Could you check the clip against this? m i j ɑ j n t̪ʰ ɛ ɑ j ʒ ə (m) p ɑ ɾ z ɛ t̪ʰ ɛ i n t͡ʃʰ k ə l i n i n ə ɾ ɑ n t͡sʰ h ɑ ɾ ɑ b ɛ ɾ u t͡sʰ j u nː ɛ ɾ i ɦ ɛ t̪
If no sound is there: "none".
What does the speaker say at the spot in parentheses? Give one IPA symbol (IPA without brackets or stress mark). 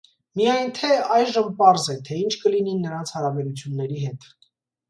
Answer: m